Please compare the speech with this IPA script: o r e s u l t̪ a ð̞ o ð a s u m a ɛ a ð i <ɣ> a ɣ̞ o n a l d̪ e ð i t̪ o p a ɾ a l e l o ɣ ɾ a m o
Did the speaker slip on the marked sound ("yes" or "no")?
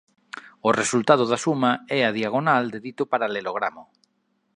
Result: yes